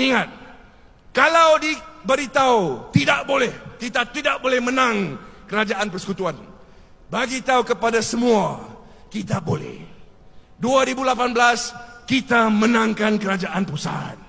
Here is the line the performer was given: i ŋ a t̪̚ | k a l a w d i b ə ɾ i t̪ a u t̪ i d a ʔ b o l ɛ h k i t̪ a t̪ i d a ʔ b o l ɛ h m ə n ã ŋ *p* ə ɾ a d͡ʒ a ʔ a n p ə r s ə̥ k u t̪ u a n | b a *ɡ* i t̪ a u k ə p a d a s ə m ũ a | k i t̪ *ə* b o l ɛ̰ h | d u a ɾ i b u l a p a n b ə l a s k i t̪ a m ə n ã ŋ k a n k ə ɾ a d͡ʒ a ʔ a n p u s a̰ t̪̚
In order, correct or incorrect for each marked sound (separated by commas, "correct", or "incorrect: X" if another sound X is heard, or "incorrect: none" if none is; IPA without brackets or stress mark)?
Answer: incorrect: k, correct, incorrect: a